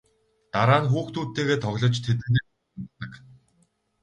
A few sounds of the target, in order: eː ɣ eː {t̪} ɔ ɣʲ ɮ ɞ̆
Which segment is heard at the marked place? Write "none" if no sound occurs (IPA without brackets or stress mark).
t̪ʰ